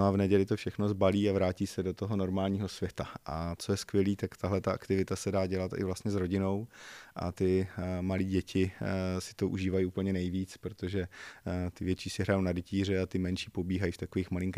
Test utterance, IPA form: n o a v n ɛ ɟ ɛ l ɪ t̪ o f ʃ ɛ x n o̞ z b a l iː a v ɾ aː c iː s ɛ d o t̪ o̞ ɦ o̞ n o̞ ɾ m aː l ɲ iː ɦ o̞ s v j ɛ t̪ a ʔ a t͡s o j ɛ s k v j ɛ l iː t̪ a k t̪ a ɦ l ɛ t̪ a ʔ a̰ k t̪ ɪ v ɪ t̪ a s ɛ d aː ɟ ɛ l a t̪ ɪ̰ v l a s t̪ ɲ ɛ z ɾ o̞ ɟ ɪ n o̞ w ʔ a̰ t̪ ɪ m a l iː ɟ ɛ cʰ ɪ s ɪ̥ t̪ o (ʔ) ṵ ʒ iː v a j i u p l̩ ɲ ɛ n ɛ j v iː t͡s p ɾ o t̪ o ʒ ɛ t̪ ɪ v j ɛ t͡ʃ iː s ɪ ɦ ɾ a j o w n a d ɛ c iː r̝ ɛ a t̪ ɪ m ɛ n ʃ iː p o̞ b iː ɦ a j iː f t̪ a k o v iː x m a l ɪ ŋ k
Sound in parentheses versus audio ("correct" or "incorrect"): correct